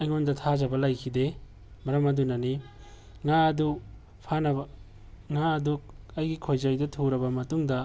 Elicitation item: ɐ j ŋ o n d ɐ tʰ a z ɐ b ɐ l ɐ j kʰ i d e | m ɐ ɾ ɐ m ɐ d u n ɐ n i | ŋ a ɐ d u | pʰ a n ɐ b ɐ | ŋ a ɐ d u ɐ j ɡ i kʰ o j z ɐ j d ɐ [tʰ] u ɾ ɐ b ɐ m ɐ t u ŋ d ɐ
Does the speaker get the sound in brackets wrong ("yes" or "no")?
no